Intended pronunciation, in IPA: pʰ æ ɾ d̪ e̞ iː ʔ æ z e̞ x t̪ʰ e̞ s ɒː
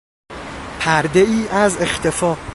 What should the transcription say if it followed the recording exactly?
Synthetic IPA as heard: pʰ æ ɾ d̪ e̞ iː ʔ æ z e̞ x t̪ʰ e̞ f ɒː